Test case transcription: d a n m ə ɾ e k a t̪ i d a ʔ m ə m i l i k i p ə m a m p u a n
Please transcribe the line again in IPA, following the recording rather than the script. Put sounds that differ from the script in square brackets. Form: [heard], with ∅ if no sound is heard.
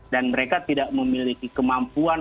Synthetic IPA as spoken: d a n m ə ɾ e k a t̪ i d a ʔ m ə m i l i k i [k] ə m a m p u a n